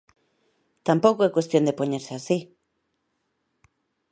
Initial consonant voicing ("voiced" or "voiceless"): voiceless